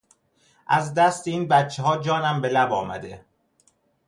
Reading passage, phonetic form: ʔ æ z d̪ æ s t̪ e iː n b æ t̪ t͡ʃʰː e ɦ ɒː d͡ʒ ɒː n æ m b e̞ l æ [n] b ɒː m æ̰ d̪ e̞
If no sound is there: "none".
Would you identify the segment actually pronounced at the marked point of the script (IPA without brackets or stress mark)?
none